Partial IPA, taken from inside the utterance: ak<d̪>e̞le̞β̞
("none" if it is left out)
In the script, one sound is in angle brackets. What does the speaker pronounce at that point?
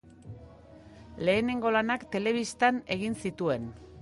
t̪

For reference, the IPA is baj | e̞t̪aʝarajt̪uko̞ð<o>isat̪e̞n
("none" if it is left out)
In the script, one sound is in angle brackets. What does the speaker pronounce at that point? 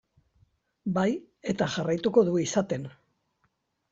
u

